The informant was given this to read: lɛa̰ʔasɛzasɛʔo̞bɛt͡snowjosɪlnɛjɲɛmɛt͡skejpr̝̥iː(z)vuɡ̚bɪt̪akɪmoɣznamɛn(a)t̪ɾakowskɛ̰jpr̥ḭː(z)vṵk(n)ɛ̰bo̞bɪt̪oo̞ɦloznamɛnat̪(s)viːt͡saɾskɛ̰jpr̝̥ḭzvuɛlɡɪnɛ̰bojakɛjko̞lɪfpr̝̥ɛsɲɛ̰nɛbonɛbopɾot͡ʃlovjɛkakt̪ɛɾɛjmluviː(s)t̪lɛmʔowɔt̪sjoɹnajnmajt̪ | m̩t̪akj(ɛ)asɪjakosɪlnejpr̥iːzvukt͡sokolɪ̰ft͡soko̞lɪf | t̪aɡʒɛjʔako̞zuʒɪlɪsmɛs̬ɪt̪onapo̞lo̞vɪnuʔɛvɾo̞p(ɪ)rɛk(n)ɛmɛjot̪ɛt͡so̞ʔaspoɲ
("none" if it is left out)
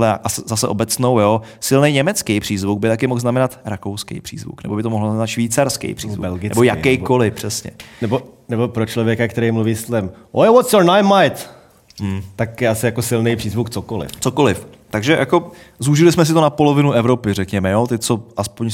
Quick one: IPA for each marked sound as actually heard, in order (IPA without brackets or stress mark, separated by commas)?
z, a, z, n, ʃ, s, ɛ, ɪ, ɲ